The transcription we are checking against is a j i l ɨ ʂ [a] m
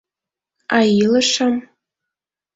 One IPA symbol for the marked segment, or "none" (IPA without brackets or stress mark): a